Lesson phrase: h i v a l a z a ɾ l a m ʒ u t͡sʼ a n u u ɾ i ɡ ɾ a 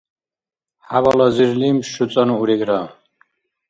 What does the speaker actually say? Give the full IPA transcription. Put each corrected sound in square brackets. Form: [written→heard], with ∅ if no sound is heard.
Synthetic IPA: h [i→a] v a l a z [a→i] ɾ l [a→i] m [ʒ→ʃ] u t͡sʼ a n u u ɾ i ɡ ɾ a